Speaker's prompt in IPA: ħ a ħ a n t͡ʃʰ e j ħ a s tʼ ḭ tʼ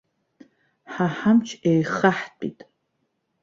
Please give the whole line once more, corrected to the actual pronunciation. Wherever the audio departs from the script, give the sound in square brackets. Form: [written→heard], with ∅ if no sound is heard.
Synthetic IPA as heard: ħ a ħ a [n→m] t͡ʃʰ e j [ħ→χ] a [s→ħ] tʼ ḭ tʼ

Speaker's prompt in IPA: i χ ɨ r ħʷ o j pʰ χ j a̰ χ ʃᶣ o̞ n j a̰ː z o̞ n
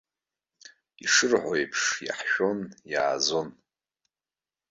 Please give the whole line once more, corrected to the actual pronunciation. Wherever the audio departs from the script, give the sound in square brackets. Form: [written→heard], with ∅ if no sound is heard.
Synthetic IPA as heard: i [χ→ʂ] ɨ r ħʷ o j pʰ [χ→ʂ] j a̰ [χ→ħ] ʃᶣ o̞ n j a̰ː z o̞ n

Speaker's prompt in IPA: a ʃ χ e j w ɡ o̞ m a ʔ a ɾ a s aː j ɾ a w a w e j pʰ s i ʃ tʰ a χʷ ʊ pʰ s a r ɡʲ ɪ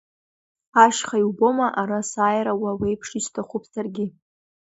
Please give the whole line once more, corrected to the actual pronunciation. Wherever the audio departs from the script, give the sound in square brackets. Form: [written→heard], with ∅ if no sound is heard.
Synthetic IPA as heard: a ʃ χ [e→a] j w [ɡ→b] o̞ m a ʔ a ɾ a s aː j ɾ a w a w e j pʰ [s→ʂ] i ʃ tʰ a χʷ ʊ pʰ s a r ɡʲ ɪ

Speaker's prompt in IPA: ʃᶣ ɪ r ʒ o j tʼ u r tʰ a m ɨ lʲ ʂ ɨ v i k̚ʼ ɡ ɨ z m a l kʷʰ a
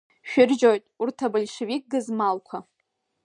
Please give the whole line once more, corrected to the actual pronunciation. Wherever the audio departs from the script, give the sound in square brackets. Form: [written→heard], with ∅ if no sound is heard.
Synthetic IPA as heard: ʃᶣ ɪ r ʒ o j tʼ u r tʰ a [m→b] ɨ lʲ ʂ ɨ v i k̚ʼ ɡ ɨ z m a l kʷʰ a

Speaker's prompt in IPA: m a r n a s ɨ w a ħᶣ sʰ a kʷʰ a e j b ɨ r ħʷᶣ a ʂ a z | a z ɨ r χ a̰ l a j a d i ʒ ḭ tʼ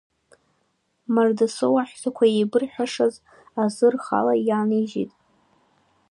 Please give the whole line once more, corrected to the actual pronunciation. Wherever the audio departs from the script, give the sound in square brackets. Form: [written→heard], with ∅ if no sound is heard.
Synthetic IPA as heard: m a r [n→d] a s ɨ w a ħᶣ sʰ a kʷʰ a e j b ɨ r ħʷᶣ a ʂ a z | a z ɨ r χ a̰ l a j a [d→n] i ʒ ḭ tʼ

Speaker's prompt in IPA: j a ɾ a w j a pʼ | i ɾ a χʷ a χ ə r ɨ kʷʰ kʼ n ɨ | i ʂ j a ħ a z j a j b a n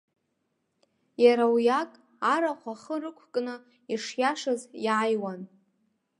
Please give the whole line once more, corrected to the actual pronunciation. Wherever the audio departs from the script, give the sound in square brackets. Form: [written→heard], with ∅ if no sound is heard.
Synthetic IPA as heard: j a ɾ a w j a [pʼ→kʼ] | [i→a] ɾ a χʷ a χ ə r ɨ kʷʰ kʼ n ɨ | i ʂ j a [ħ→ʂ] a z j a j [b→w] a n

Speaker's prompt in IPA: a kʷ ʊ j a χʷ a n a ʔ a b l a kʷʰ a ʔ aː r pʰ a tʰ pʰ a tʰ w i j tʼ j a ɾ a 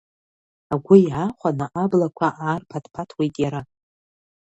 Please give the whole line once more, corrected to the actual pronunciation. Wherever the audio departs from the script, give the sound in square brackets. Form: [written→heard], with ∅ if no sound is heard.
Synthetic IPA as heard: a [kʷ→ɡʷ] ʊ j a χʷ a n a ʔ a b l a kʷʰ a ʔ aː r pʰ a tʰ pʰ a tʰ w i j tʼ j a ɾ a

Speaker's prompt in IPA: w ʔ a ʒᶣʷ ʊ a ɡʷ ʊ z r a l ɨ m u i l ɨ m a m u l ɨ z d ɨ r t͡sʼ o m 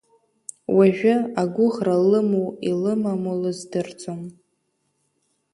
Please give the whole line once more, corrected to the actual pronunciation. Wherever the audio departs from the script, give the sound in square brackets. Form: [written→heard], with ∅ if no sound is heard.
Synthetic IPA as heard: w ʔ a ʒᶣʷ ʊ a ɡʷ ʊ [z→ʁ] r a l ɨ m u i l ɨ m a m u l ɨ z d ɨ r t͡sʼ o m

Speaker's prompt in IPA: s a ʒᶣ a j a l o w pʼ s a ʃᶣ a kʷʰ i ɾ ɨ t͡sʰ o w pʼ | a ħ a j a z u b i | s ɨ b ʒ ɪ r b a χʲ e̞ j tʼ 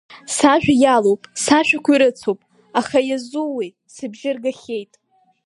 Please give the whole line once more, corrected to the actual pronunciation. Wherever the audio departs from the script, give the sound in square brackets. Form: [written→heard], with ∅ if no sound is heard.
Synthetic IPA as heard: s a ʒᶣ a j a l o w pʼ s a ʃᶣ a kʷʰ i ɾ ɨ t͡sʰ o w pʼ | a [ħ→χ] a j a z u [b→w] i | s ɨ b ʒ ɪ r [b→ɡ] a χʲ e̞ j tʼ

